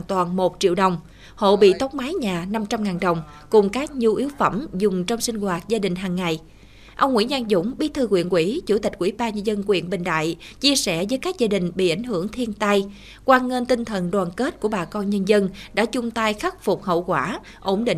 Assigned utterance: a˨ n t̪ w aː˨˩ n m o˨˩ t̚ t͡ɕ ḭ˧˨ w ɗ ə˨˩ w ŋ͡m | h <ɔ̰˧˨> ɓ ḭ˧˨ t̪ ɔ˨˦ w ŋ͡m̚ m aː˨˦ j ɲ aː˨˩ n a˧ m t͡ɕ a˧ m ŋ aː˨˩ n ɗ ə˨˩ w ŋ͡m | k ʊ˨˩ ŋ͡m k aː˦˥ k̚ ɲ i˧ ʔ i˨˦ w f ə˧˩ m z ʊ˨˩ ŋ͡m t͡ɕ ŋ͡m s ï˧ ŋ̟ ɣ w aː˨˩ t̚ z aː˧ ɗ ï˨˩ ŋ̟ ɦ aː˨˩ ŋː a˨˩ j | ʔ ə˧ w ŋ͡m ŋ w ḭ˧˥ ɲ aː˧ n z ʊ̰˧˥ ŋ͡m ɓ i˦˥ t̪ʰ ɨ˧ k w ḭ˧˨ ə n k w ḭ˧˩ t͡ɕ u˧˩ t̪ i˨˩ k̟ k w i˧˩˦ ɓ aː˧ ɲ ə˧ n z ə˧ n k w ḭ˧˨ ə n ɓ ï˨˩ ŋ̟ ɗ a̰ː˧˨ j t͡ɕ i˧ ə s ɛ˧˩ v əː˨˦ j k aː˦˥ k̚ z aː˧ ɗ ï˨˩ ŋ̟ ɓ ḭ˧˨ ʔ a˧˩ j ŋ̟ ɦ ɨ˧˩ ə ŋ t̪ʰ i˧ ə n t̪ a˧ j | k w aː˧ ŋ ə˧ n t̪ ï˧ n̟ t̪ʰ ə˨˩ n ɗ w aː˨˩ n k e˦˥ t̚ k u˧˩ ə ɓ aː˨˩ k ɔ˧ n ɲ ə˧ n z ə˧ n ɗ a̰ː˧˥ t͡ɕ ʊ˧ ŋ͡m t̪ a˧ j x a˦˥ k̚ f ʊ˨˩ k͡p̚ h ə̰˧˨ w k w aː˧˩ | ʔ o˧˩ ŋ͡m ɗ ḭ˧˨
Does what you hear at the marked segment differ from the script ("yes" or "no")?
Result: yes